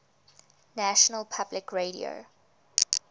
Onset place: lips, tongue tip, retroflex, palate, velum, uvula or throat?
tongue tip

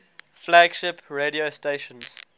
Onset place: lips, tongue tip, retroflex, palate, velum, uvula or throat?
lips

